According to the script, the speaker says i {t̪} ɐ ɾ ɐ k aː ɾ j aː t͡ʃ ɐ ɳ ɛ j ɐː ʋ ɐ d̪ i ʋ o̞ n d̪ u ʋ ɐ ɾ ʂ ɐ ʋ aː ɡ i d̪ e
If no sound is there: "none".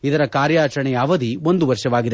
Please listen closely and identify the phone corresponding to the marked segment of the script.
d̪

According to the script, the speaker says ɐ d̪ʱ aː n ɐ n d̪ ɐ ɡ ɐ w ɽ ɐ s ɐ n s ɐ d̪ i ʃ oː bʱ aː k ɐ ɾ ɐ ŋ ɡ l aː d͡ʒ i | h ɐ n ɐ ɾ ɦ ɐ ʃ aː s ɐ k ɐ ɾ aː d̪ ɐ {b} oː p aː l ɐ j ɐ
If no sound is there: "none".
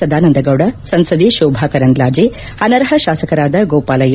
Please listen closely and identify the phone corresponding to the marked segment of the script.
ɡ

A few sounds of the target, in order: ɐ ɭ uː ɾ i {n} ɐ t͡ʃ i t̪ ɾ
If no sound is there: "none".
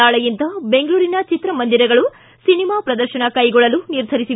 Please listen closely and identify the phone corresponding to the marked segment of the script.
n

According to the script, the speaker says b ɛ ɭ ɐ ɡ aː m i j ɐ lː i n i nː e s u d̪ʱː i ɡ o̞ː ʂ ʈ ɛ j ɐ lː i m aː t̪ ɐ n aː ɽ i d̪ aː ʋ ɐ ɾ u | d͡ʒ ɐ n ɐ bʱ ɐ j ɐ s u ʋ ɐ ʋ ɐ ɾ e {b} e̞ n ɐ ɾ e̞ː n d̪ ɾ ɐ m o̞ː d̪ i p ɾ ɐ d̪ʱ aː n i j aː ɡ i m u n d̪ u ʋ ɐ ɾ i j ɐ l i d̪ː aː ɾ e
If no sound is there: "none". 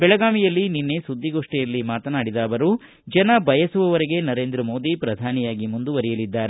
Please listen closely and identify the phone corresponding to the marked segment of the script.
ɡ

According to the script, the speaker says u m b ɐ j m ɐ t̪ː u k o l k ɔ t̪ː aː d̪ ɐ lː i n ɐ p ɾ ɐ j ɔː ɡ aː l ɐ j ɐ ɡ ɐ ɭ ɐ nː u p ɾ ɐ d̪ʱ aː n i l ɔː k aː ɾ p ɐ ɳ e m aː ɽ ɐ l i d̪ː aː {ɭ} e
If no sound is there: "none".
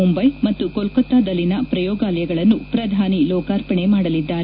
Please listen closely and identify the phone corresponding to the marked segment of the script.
ɾ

